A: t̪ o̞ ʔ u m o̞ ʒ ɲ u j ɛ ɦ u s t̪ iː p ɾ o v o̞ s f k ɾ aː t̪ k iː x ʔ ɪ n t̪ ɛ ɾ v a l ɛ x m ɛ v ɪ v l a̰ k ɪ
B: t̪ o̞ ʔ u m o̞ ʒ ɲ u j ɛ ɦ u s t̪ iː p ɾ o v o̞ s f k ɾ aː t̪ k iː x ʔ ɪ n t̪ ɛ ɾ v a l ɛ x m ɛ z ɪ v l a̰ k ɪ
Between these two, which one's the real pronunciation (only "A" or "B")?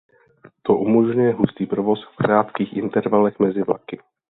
B